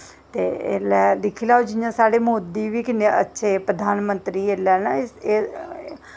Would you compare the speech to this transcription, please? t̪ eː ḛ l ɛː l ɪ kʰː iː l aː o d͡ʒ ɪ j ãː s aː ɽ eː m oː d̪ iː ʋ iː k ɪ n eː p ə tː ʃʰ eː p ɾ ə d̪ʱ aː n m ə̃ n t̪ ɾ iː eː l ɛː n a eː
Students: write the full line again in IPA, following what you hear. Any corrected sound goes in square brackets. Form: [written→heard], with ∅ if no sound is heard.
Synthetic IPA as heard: t̪ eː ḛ l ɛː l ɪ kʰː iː l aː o d͡ʒ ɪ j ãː s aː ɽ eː m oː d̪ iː ʋ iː k ɪ n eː [p→∅] ə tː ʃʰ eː p ɾ ə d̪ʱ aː n m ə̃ n t̪ ɾ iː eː l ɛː n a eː

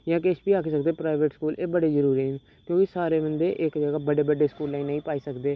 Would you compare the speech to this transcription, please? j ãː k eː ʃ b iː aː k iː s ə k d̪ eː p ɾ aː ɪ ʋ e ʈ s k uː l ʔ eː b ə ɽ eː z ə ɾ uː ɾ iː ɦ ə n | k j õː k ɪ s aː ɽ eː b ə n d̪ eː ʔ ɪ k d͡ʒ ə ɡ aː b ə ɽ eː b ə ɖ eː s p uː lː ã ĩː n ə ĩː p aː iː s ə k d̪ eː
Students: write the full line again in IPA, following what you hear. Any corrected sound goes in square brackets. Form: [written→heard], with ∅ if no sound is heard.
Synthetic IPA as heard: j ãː k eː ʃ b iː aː k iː s ə k d̪ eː p ɾ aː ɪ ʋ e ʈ s k uː l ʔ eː b ə ɽ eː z ə ɾ uː ɾ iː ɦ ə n | k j õː k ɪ s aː [ɽ→ɾ] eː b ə n d̪ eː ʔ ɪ k d͡ʒ ə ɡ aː b ə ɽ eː b ə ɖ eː s [p→k] uː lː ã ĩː n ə ĩː p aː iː s ə k d̪ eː

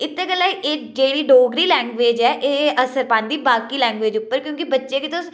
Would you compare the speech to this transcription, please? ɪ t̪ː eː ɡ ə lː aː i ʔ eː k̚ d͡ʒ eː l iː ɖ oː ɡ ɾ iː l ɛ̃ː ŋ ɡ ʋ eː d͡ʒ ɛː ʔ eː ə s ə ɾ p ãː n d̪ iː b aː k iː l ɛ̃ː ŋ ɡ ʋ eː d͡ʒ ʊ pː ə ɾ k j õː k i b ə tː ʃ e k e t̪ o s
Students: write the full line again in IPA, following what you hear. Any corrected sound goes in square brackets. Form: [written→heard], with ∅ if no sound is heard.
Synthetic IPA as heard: ɪ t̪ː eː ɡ ə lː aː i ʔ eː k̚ d͡ʒ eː [l→ɽ] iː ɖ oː ɡ ɾ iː l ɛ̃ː ŋ ɡ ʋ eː d͡ʒ ɛː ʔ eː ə s ə ɾ p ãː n d̪ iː b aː k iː l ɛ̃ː ŋ ɡ ʋ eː d͡ʒ ʊ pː ə ɾ k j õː k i b ə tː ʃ e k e t̪ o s

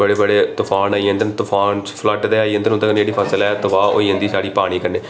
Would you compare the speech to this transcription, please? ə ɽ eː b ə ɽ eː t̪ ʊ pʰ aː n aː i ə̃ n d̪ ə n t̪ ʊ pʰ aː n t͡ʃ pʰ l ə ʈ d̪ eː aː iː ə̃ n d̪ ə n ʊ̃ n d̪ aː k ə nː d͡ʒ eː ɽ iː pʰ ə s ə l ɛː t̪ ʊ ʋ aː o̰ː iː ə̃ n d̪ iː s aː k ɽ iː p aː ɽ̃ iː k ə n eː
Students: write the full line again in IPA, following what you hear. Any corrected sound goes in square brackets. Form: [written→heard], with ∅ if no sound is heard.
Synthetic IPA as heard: ə ɽ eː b ə ɽ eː t̪ ʊ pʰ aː n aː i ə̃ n d̪ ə n t̪ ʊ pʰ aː n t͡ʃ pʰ l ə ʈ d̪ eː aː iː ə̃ n d̪ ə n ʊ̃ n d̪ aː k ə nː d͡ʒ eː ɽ iː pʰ ə s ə l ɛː t̪ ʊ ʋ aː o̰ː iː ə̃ n d̪ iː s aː [k→∅] ɽ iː p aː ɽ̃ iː k ə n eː

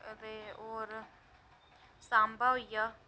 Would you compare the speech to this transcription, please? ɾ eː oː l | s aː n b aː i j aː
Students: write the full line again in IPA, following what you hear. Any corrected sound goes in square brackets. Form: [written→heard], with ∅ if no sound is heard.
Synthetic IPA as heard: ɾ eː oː [l→ɾ] | s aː [n→m] b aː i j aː

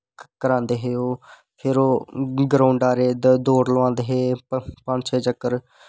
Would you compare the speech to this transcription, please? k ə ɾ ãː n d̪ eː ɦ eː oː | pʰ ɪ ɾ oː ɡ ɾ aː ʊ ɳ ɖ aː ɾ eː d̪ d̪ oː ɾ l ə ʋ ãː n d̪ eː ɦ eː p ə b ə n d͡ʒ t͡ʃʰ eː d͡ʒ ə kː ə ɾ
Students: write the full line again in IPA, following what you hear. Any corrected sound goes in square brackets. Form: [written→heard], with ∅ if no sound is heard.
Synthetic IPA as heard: k ə ɾ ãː n d̪ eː ɦ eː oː | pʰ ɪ ɾ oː ɡ ɾ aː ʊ ɳ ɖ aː ɾ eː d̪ d̪ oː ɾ l ə ʋ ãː n d̪ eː ɦ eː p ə [b→p] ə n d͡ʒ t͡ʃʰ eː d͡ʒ ə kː ə ɾ

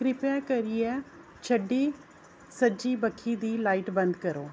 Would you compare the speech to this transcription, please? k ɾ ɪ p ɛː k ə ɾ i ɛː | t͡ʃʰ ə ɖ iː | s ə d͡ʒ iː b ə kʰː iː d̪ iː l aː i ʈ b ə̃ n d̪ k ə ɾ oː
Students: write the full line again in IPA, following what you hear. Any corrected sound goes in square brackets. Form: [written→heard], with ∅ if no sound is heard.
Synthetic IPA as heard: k ɾ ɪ p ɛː k ə ɾ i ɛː | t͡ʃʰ ə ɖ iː | s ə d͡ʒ iː b ə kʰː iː d̪ iː l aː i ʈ b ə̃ n d̪ k ə ɾ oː

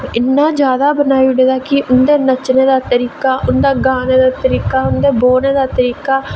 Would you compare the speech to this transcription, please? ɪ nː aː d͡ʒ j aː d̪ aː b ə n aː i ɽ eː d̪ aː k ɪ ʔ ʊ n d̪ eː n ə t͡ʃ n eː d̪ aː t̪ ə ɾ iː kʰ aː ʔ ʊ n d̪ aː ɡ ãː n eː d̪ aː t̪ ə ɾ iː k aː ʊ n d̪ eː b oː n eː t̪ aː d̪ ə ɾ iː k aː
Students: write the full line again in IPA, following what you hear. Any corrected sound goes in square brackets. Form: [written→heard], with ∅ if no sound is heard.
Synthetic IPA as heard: ɪ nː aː d͡ʒ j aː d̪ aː b ə n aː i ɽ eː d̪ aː k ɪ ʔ ʊ n d̪ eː n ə t͡ʃ n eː d̪ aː t̪ ə ɾ iː [kʰ→k] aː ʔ ʊ n d̪ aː ɡ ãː n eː d̪ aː t̪ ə ɾ iː k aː ʊ n d̪ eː b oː n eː [t̪→d̪] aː [d̪→t̪] ə ɾ iː k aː

